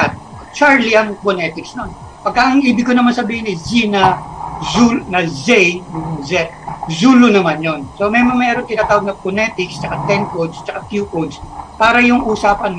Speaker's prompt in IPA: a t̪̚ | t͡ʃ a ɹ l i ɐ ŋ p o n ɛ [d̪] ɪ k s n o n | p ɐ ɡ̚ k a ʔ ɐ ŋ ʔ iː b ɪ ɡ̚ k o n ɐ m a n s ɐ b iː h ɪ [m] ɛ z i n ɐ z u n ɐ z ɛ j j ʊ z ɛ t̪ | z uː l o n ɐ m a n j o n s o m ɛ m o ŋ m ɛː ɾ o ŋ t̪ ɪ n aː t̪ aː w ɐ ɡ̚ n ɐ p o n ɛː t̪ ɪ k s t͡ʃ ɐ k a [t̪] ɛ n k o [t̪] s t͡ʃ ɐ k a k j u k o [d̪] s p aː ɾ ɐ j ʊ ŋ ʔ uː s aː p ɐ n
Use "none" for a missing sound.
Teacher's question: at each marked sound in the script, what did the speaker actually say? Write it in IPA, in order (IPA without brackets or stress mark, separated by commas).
t̪, n, t̪, d̪, d̪